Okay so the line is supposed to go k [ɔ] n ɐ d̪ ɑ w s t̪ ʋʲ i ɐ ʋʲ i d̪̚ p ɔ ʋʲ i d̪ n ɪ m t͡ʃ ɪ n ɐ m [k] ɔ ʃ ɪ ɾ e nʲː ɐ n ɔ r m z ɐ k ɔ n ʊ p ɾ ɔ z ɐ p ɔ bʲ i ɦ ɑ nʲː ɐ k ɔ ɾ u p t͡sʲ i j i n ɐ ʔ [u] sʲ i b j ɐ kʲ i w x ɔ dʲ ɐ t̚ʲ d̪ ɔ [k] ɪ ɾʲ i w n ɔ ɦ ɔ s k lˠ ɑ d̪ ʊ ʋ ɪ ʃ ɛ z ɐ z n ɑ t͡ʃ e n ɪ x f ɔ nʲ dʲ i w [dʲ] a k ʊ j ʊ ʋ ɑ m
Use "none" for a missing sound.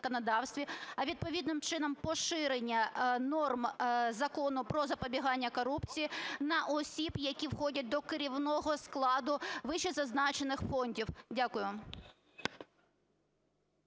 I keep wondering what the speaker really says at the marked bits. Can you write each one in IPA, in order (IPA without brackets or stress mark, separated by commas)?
ɔ, p, ɔ, k, dʲ